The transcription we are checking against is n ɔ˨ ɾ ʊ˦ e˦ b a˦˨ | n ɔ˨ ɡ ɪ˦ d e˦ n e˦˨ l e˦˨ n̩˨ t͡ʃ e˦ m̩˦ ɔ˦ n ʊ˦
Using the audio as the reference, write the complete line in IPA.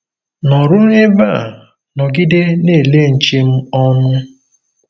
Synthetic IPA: n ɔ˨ ɾ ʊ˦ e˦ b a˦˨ | n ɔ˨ ɡ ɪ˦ d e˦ n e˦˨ l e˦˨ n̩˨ t͡ʃ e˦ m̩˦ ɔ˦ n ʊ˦